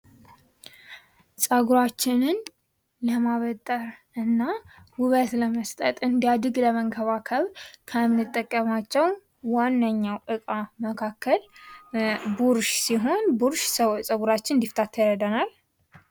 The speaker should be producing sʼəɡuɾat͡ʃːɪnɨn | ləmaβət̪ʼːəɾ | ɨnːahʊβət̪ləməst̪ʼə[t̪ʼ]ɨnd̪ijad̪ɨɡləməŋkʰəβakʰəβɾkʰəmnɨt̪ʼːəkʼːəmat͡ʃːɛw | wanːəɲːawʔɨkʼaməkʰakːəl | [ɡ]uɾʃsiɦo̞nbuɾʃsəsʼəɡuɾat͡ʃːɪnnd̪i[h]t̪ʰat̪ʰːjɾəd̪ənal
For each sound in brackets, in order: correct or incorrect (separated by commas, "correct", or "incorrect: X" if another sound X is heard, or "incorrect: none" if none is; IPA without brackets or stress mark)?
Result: correct, incorrect: b, incorrect: f